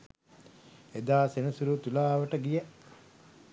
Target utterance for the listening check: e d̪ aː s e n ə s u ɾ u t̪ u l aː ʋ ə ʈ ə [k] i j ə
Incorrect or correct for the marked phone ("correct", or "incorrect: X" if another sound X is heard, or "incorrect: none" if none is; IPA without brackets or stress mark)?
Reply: incorrect: ɡ